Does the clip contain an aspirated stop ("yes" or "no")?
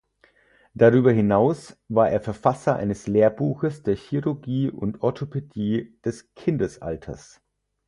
yes